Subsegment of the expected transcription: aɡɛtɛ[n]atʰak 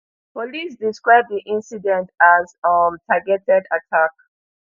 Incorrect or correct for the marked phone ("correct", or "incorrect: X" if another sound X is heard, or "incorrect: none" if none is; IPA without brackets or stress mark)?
incorrect: d